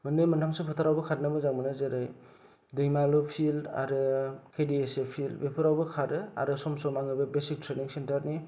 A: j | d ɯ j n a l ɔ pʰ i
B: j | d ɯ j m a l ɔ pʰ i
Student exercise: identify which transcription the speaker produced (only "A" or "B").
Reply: B